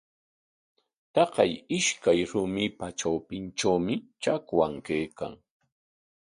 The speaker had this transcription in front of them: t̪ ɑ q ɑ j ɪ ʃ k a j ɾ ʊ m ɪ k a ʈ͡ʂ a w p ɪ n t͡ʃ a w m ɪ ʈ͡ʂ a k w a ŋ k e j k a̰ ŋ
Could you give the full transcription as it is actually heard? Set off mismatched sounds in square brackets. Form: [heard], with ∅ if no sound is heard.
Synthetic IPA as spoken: t̪ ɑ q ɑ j ɪ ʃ k a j ɾ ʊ m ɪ [p] a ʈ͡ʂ a w p ɪ n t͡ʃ a w m ɪ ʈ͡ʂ a k w a ŋ k e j k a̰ ŋ

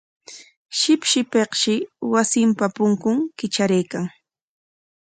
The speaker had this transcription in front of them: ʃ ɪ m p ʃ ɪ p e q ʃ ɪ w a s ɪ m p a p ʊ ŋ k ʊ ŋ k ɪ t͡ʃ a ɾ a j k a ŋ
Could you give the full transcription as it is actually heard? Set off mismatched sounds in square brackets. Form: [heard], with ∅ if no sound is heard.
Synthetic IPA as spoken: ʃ ɪ [∅] p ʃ ɪ p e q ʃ ɪ w a s ɪ m p a p ʊ ŋ k ʊ ŋ k ɪ t͡ʃ a ɾ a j k a ŋ

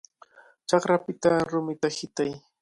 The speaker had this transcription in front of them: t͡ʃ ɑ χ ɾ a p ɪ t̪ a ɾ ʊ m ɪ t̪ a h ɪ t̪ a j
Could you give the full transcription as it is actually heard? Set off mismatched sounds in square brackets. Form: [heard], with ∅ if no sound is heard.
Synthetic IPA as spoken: t͡ʃ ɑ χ ɾ a p ɪ t̪ a ɾ ʊ m ɪ t̪ a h ɪ t̪ a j

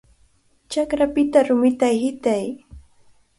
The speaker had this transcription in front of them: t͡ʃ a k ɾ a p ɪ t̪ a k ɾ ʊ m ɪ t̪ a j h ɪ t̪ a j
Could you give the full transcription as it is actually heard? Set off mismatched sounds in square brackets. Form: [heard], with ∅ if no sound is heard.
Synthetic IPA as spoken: t͡ʃ a k ɾ a p ɪ t̪ a [∅] ɾ ʊ m ɪ t̪ a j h ɪ t̪ a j

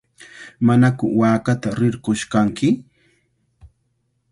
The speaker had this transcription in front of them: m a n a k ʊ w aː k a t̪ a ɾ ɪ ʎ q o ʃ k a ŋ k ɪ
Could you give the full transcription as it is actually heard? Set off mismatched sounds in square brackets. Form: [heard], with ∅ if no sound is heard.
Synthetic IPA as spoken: m a n a k ʊ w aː k a t̪ a ɾ ɪ [ɾ] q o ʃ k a ŋ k ɪ

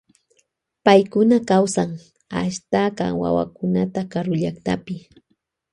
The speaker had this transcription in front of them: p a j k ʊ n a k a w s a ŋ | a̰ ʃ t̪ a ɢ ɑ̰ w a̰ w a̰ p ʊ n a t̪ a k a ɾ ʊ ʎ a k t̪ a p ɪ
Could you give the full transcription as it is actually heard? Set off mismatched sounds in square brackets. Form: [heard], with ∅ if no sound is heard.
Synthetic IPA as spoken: p a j k ʊ n a k a w s a ŋ | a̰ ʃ t̪ a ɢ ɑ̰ w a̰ w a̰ [k] ʊ n a t̪ a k a ɾ ʊ ʎ a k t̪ a p ɪ

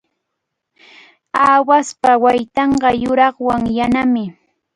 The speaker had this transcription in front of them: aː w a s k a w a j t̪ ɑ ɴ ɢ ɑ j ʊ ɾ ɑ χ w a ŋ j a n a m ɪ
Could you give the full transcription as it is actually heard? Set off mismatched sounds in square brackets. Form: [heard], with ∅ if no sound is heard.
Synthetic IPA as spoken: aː w a s [p] a w a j t̪ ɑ ɴ ɢ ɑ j ʊ ɾ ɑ χ w a ŋ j a n a m ɪ

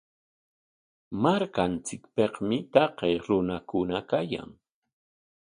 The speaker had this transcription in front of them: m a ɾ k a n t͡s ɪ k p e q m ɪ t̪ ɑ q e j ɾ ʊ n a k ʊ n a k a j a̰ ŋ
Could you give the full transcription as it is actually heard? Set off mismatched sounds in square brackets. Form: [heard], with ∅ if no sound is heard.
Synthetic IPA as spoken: m a ɾ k a n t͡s ɪ k p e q m ɪ t̪ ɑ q e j ɾ ʊ n a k ʊ n a k a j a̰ ŋ

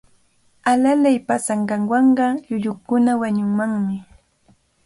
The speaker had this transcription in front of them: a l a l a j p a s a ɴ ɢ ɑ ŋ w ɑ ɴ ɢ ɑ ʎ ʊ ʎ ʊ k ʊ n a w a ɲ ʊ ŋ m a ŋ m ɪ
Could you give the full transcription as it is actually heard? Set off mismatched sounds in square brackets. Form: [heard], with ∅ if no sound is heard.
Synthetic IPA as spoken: a l a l a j p a s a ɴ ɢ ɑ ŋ w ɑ ɴ ɢ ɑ ʎ ʊ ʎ ʊ k ʊ n a w a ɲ ʊ ŋ m a ŋ m ɪ

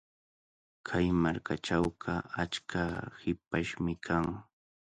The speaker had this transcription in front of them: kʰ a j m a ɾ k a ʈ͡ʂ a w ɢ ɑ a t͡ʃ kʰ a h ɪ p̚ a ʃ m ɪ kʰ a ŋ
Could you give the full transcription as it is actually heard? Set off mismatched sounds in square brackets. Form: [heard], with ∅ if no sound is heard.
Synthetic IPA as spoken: kʰ a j m a ɾ k a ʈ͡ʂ a w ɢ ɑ a t͡ʃ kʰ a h ɪ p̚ a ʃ m ɪ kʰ a ŋ

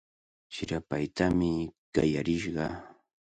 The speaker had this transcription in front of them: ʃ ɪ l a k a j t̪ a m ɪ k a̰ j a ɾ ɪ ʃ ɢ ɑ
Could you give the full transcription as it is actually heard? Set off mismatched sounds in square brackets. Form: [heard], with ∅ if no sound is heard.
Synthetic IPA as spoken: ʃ ɪ [ɾ] a [p] a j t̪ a m ɪ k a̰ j a ɾ ɪ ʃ ɢ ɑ

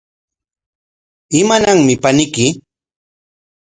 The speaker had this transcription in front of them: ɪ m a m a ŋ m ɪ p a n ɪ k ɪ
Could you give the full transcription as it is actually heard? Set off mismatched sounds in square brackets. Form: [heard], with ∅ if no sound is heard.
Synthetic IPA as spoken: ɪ m a [n] a ŋ m ɪ p a n ɪ k ɪ

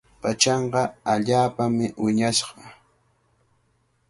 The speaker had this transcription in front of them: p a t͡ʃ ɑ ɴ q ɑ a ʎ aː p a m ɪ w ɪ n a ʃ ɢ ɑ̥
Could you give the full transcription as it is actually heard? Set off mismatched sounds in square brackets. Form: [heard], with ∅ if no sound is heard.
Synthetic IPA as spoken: p a t͡ʃ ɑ ɴ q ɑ a ʎ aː p a m ɪ w ɪ [ɲ] a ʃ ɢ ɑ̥

